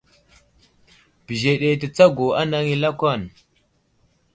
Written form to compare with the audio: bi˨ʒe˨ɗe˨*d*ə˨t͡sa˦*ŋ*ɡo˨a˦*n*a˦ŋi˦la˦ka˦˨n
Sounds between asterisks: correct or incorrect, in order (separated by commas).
incorrect, incorrect, correct